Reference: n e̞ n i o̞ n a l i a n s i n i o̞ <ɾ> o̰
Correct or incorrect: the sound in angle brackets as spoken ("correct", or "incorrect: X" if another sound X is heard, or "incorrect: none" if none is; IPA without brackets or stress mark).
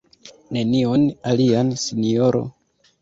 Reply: correct